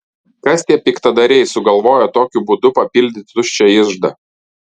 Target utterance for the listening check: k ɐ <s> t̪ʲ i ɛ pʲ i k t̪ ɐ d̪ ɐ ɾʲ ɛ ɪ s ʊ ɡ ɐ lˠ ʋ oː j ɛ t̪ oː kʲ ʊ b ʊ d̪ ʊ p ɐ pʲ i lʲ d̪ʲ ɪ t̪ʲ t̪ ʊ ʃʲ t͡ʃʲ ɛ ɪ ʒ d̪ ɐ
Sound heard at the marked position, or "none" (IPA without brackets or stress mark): s